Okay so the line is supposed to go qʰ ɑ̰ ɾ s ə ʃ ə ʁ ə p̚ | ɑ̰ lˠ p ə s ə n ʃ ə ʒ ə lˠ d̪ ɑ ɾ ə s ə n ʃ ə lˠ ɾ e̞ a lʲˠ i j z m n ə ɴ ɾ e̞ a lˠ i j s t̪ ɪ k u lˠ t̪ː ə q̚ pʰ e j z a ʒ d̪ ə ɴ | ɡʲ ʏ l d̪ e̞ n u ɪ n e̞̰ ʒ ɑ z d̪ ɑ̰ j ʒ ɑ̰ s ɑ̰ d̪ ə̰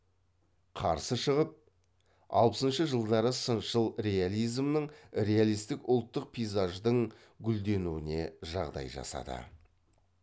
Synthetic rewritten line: qʰ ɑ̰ ɾ s ə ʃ ə ʁ ə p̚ | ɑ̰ lˠ p ə s ə n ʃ ə ʒ ə lˠ d̪ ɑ ɾ ə s ə n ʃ ə lˠ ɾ e̞ a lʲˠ i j z m n ə ɴ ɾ e̞ a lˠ i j s t̪ ɪ k ʊ lˠ t̪ː ə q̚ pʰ i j z a ʒ d̪ ə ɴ | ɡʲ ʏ l d̪ e̞ n u ɪ n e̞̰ ʒ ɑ ʁ d̪ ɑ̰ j ʒ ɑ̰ s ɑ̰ d̪ ə̰